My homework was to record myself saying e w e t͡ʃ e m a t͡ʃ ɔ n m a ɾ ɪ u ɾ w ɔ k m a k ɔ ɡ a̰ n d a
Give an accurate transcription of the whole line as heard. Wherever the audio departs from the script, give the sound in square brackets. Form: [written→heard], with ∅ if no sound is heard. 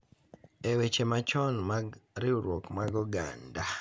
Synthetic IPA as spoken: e w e t͡ʃ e m a t͡ʃ ɔ n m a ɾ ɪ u ɾ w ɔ k m a [k→ɡ] ɔ ɡ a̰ n d a